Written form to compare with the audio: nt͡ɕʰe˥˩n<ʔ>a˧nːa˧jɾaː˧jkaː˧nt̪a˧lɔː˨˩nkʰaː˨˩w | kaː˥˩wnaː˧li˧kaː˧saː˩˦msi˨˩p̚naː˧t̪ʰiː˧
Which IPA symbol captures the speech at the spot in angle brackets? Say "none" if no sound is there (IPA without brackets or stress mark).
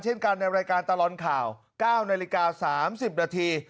k